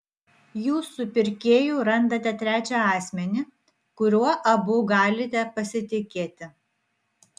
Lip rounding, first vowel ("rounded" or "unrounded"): rounded